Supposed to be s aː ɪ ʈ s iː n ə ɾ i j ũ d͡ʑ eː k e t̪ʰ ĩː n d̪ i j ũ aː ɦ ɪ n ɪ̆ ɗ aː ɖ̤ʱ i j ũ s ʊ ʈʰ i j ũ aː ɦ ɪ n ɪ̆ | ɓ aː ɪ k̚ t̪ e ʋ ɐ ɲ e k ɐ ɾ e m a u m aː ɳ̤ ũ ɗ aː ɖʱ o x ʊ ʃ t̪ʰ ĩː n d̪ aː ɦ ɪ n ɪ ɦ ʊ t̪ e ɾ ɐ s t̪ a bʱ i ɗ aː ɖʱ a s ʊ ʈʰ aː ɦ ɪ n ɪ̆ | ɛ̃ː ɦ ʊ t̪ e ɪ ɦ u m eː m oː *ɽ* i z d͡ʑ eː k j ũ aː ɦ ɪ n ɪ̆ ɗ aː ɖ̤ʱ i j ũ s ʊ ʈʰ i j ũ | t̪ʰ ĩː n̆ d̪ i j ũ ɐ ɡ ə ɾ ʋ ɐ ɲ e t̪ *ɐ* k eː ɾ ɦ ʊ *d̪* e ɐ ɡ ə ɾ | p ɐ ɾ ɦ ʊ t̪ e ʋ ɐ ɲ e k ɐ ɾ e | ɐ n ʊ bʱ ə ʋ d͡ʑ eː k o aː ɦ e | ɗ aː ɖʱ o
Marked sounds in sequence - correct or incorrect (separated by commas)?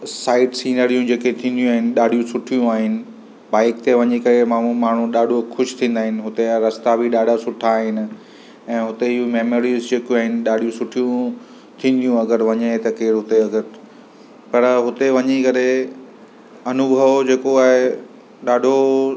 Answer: incorrect, correct, incorrect